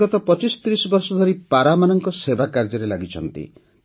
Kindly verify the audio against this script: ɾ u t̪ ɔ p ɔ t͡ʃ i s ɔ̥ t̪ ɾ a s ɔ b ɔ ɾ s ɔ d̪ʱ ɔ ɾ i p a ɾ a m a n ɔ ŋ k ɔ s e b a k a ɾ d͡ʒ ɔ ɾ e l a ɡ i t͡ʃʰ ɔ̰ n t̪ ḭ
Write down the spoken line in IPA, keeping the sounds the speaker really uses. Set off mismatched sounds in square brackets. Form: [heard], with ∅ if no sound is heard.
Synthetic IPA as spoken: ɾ [ɔ] t̪ ɔ p ɔ t͡ʃ i s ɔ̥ t̪ ɾ [i] s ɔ b ɔ ɾ s ɔ d̪ʱ ɔ ɾ i p a ɾ a m a n ɔ ŋ k ɔ s e b a k a ɾ d͡ʒ ɔ ɾ e l a ɡ i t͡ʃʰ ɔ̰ n t̪ ḭ